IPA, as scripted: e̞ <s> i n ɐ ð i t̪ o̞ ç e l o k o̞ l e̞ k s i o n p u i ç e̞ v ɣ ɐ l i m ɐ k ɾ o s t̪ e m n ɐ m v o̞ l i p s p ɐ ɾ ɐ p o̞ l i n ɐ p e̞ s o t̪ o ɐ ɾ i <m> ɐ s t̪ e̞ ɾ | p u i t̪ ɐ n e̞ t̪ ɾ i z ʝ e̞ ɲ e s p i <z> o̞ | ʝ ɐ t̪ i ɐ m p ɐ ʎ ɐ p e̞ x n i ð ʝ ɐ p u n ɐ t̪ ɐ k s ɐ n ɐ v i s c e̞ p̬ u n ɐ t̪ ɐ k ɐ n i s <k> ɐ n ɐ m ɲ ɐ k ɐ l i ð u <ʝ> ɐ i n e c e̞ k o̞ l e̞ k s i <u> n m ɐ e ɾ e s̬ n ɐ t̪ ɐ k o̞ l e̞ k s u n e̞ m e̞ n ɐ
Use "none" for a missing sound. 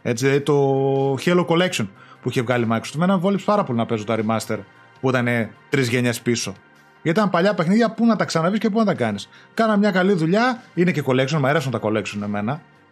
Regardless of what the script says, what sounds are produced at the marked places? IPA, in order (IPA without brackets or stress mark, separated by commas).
t͡s, m, s, k, ʎ, o